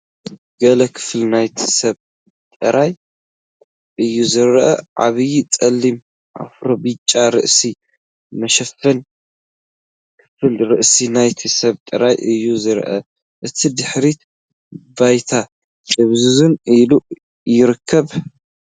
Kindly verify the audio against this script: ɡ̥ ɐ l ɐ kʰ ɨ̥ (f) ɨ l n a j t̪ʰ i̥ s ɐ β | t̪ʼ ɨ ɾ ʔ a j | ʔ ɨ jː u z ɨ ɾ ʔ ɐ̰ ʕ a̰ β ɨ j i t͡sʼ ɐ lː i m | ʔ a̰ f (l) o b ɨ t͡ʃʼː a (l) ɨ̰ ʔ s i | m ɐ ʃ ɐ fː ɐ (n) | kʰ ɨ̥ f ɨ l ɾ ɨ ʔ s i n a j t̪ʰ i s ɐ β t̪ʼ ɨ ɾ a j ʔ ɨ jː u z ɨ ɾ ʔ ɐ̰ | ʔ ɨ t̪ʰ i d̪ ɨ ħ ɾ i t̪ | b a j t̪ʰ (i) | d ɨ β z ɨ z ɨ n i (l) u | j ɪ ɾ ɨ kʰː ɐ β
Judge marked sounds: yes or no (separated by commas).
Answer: yes, no, no, yes, no, yes